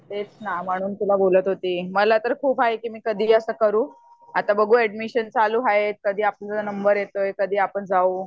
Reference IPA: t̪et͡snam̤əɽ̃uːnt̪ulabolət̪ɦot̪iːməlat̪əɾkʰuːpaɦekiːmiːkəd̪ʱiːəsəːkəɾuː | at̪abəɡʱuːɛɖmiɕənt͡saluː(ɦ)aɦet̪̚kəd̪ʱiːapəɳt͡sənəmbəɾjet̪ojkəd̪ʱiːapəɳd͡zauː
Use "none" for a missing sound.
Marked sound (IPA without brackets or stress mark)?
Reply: ɦ